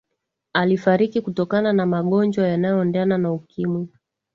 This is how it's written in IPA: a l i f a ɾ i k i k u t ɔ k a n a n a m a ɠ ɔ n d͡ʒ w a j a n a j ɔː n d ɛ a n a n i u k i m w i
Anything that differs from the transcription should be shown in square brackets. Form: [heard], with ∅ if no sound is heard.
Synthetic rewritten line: a l i f a ɾ i k i k u t ɔ k a n a n a m a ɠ ɔ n d͡ʒ w a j a n a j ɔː n d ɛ a n a n [a] u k i m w i